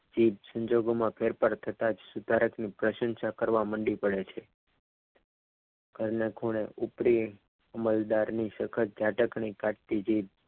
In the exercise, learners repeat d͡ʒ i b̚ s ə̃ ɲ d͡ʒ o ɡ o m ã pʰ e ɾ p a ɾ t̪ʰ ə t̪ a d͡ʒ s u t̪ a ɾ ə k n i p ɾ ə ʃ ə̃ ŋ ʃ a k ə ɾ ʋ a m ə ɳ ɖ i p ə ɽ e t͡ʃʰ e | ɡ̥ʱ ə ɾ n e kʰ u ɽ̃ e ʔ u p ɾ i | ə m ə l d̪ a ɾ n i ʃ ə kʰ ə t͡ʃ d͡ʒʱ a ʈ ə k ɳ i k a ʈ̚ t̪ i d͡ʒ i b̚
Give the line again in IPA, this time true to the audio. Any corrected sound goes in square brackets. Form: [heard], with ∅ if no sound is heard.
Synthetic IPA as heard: d͡ʒ i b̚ s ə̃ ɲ d͡ʒ o ɡ o m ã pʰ e ɾ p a ɾ t̪ʰ ə t̪ a d͡ʒ s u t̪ a ɾ ə k n i p ɾ ə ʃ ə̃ [n] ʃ a k ə ɾ ʋ a m ə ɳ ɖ i p ə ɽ e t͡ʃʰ e | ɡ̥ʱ ə ɾ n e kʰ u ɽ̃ e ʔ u p ɾ i | ə m ə l d̪ a ɾ n i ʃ ə kʰ ə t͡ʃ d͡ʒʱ a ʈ ə k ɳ i k a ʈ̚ t̪ i d͡ʒ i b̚

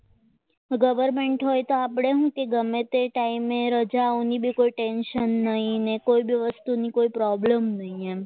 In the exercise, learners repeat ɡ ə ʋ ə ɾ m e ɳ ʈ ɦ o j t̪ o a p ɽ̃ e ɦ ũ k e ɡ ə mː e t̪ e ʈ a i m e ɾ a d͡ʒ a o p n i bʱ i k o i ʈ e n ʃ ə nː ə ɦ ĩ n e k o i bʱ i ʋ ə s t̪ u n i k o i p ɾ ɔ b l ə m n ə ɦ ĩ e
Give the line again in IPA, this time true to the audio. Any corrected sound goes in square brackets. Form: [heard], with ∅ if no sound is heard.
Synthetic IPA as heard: ɡ ə ʋ ə ɾ m e ɳ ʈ ɦ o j t̪ o a p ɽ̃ e ɦ ũ k e ɡ ə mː e t̪ e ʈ a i m e ɾ [ə] d͡ʒ a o [∅] n i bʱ i k o i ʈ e n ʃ ə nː ə ɦ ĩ n e k o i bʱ i ʋ ə s t̪ u n i k o i p ɾ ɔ b l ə m n ə ɦ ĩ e

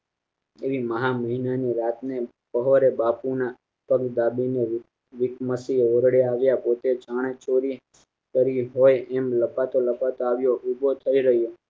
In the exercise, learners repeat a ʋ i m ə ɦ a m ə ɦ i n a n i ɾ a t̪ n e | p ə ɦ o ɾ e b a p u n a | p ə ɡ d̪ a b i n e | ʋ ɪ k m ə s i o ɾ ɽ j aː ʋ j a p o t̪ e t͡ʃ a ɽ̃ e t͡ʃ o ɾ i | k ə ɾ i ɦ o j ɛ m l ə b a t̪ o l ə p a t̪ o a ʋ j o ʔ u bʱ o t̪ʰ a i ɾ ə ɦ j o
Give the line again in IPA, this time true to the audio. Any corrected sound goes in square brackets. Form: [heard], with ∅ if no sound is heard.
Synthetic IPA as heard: [e] ʋ i m ə ɦ a m ə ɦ i n a n i ɾ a t̪ n e | p ə ɦ o ɾ e b a p u n a | p ə ɡ d̪ a b i n e | ʋ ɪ k m ə s i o ɾ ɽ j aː ʋ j a p o t̪ e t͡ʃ a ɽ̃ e t͡ʃ o ɾ i | k ə ɾ i ɦ o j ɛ m l ə [p] a t̪ o l ə p a t̪ o a ʋ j o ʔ u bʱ o t̪ʰ [ə] i ɾ ə ɦ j o

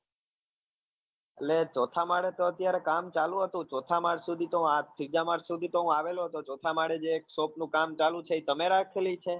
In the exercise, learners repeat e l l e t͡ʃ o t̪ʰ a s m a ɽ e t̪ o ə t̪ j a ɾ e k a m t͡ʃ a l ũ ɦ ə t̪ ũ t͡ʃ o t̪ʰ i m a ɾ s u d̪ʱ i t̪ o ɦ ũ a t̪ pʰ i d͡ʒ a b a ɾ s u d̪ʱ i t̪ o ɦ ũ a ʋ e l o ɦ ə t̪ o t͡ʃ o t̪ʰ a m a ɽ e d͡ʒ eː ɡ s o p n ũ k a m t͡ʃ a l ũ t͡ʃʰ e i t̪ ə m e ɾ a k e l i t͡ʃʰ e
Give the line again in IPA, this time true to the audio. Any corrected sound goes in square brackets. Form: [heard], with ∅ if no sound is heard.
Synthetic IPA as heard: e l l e t͡ʃ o t̪ʰ a [∅] m a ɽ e t̪ o ə t̪ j a ɾ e k a m t͡ʃ a l ũ ɦ ə t̪ ũ t͡ʃ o t̪ʰ [a] m a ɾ s u d̪ʱ i t̪ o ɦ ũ a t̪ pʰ i d͡ʒ a [m] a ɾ s u d̪ʱ i t̪ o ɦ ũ a ʋ e l o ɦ ə t̪ o t͡ʃ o t̪ʰ a m a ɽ e d͡ʒ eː [k] s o p n ũ k a m t͡ʃ a l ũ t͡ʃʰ e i t̪ ə m e ɾ a [kʰ] e l i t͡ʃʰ e

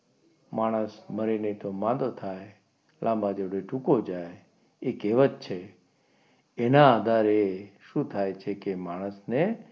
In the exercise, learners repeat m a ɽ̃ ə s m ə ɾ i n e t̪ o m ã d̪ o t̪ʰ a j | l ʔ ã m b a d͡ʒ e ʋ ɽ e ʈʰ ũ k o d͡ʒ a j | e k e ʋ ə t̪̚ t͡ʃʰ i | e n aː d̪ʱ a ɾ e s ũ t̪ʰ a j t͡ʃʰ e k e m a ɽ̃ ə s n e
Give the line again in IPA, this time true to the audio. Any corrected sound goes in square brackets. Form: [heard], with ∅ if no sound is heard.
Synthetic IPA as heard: m a ɽ̃ ə s m ə ɾ i n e t̪ o m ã d̪ o t̪ʰ a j | l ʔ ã m b a d͡ʒ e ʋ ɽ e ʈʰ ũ k o d͡ʒ a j | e k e ʋ ə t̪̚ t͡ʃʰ [e] | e n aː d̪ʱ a ɾ e [ʃ] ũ t̪ʰ a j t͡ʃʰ e k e m a ɽ̃ ə s n e

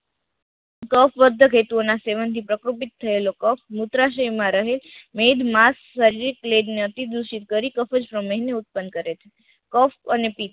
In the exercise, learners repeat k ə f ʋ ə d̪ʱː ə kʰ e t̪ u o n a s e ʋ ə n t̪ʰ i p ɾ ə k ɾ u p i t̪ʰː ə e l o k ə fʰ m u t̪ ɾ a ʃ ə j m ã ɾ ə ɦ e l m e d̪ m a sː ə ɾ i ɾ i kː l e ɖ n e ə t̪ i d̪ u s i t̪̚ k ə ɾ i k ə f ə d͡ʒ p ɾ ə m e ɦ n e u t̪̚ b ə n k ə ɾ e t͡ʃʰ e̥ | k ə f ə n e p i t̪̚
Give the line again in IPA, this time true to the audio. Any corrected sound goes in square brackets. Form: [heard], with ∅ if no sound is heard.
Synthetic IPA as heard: k ə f ʋ ə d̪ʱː ə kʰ e t̪ u o n a s e ʋ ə n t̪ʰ i p ɾ ə k ɾ u p i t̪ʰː ə e l o k ə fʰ m u t̪ ɾ a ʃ ə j m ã ɾ ə ɦ e l m e d̪ m a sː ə ɾ i ɾ i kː l e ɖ n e ə t̪ i d̪ u [ʃ] i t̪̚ k ə ɾ i k ə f ə d͡ʒ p ɾ ə m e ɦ n e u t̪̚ [p] ə n k ə ɾ e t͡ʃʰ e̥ | k ə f ə n e p i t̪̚

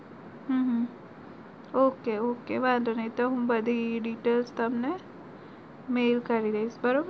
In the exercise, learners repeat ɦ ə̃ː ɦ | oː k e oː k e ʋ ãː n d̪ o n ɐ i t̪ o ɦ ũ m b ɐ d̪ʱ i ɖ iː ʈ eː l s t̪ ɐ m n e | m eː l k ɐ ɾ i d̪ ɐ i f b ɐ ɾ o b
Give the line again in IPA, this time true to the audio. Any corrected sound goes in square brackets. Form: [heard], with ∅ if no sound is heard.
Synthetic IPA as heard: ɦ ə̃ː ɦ | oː k e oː k e ʋ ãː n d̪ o n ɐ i t̪ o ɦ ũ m b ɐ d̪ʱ i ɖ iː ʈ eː l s t̪ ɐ m n e | m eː l k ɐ ɾ i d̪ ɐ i [s] b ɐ ɾ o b

